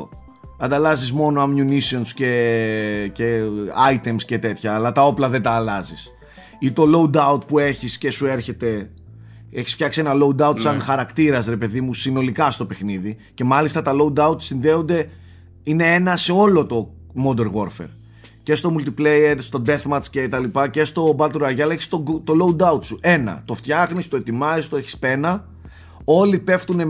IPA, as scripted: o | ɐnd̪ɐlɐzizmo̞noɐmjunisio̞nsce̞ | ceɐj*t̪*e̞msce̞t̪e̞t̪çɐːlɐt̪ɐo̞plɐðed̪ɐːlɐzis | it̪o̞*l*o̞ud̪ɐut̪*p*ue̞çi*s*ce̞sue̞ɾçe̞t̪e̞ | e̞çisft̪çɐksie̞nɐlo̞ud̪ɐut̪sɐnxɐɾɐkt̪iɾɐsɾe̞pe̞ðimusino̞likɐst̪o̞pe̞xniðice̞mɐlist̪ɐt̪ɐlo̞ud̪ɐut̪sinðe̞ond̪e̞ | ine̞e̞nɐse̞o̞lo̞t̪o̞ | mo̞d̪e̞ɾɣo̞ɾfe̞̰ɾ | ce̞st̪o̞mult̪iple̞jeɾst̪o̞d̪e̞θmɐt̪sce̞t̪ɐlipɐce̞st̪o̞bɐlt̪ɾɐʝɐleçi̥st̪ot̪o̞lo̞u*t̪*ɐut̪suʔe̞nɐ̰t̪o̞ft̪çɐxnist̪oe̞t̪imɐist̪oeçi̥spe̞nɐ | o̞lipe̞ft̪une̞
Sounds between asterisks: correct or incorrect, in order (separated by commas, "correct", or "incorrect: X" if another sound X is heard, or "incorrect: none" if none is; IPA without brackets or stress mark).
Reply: correct, correct, correct, correct, incorrect: d̪